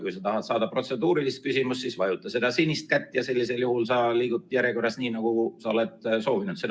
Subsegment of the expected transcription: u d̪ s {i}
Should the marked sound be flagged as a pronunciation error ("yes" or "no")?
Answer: yes